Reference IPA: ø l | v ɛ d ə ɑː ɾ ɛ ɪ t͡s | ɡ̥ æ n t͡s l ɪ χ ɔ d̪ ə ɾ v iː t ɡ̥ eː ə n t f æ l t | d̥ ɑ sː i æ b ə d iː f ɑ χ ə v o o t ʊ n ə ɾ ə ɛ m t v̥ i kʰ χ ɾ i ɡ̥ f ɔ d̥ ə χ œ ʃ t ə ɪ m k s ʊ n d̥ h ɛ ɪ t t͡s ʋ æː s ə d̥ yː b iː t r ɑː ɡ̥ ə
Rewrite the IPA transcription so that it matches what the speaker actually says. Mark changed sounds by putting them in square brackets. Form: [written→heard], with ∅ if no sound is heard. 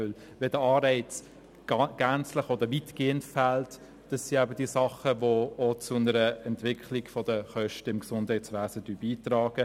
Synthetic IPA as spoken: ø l | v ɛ d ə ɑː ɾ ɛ ɪ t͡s | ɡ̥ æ n t͡s l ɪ χ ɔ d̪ ə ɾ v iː t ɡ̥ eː ə n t f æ l t | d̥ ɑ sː i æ b ə d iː [f→s] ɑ χ ə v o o [t→t͡s] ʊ n ə ɾ ə ɛ [m→n] t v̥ [i→ɪ] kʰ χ [ɾ→l] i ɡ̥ f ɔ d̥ ə χ œ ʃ t ə ɪ m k s ʊ n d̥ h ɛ ɪ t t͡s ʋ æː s ə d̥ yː b iː t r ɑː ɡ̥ ə

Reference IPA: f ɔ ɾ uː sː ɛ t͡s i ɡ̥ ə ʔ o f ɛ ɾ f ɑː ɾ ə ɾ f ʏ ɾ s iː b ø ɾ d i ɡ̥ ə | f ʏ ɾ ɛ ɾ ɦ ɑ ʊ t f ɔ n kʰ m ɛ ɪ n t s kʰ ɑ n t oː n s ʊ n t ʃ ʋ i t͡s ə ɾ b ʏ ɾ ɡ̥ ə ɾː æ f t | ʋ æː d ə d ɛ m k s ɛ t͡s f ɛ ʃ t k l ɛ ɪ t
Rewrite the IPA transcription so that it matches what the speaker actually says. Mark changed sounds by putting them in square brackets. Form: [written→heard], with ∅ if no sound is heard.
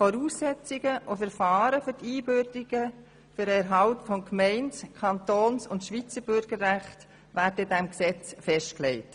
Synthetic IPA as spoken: f ɔ ɾ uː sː ɛ t͡s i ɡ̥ ə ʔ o f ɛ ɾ f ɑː ɾ ə [ɾ→∅] f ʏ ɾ [s→t] iː b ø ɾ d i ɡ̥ ə | f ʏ ɾ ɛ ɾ ɦ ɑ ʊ t f ɔ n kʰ m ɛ ɪ n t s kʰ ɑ n t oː n s ʊ n t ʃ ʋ i t͡s ə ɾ b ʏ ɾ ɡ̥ ə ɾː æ [f→χ] t | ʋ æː d ə d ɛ m k s ɛ t͡s f ɛ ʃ t k l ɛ ɪ t

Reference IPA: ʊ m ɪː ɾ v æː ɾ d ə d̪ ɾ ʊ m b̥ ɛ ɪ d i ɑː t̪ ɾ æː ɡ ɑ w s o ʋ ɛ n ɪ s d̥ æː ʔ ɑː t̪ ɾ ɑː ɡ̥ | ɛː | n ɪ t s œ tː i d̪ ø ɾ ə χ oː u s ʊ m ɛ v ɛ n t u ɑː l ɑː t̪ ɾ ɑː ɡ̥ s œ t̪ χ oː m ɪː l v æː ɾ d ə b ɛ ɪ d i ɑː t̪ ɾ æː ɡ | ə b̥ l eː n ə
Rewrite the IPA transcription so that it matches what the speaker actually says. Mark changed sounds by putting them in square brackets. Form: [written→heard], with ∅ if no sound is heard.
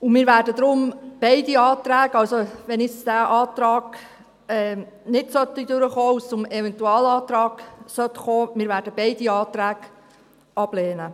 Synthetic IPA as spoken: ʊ m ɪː ɾ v æː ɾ d ə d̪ ɾ ʊ m b̥ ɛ ɪ d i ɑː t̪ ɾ æː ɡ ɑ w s o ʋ ɛ n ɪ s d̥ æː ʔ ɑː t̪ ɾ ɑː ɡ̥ | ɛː | n ɪ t s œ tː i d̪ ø ɾ ə χ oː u s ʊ m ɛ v ɛ n t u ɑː l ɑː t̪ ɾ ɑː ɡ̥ s œ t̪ χ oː m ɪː [l→ɾ] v æː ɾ d ə b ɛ ɪ d i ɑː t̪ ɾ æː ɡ | [ə→ɑ] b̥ l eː n ə

